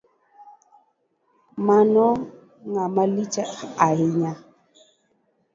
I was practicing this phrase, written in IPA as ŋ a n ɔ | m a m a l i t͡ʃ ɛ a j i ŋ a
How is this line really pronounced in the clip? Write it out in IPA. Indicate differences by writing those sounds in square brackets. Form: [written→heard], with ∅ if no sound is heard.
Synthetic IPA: [ŋ→m] a n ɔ | [m→ŋ] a m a l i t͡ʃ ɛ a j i [ŋ→ɲ] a